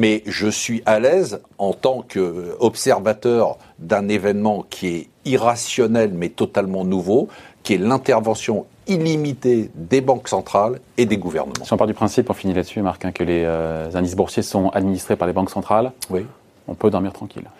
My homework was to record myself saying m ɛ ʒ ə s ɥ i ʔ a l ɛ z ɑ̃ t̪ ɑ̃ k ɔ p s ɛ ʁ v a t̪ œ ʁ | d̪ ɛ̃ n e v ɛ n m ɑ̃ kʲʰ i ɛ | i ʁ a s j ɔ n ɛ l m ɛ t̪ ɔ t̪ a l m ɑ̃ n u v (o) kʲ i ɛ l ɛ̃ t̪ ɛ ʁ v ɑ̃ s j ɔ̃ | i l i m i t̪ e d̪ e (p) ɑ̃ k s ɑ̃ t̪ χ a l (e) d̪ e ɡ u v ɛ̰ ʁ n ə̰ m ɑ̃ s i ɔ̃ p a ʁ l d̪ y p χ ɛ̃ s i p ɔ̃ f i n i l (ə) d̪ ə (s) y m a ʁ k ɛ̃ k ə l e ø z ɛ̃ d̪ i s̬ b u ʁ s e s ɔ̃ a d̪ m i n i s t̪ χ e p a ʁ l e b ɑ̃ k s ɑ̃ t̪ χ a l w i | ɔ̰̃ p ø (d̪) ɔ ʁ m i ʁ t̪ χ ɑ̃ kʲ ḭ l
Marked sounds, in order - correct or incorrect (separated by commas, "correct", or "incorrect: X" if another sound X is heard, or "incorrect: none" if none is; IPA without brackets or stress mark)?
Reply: correct, incorrect: b, correct, incorrect: a, correct, correct